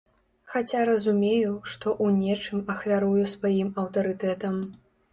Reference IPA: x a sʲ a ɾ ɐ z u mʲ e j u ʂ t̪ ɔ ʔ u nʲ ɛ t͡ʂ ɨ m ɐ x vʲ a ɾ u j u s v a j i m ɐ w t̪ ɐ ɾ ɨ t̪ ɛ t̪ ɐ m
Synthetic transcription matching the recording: x a t͡sʲ a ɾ ɐ z u mʲ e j u ʂ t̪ ɔ ʔ u nʲ ɛ t͡ʂ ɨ m ɐ x vʲ a ɾ u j u s v a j i m ɐ w t̪ ɐ ɾ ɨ t̪ ɛ t̪ ɐ m